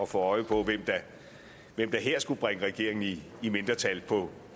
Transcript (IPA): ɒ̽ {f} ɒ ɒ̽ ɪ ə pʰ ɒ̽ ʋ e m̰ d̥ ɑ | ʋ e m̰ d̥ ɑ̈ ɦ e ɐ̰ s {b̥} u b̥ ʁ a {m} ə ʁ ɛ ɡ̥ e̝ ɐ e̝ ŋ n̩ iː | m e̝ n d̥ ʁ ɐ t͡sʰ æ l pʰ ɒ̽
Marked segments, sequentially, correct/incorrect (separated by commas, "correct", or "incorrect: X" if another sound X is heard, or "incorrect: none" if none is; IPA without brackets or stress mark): correct, incorrect: ɡ̥, incorrect: ŋ